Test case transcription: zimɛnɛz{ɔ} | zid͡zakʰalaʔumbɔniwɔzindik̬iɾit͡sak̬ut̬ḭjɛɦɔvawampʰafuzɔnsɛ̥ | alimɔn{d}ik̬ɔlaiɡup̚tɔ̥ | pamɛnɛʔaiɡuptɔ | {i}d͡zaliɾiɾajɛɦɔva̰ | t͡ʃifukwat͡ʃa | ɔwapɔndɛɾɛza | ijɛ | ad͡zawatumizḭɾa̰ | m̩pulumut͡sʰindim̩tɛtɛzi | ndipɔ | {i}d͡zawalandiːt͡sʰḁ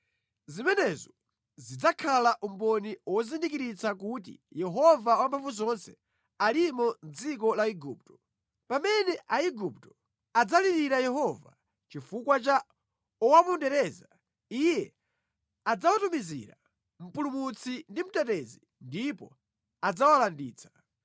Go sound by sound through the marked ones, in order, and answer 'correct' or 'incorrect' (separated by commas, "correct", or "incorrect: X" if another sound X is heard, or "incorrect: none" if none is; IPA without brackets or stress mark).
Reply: correct, incorrect: d͡z, incorrect: a, incorrect: a